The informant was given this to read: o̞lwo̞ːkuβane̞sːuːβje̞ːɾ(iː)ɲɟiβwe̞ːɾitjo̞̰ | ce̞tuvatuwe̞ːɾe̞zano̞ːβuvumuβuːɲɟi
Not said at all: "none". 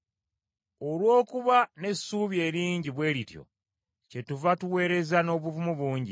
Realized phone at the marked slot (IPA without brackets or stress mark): iː